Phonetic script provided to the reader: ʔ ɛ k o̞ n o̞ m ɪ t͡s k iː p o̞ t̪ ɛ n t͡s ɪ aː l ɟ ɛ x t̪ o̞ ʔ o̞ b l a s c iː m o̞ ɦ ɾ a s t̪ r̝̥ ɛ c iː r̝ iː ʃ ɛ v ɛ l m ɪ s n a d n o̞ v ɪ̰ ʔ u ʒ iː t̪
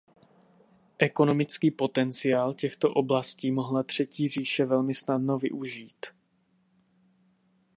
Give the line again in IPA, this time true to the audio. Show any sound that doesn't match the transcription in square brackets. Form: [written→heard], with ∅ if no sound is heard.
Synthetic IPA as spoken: ʔ ɛ k o̞ n o̞ m ɪ t͡s k iː p o̞ t̪ ɛ n t͡s ɪ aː l [ɟ→c] ɛ x t̪ o̞ ʔ o̞ b l a s c iː m o̞ ɦ [ɾ→l] a [s→∅] t̪ r̝̥ ɛ c iː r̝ iː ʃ ɛ v ɛ l m ɪ s n a d n o̞ v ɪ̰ ʔ u ʒ iː t̪